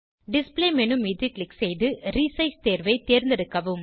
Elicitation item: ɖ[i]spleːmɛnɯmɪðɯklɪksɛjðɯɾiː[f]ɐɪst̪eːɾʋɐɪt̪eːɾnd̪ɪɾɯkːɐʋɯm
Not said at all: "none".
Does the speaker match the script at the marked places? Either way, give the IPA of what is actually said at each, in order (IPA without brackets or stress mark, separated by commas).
ɪ, s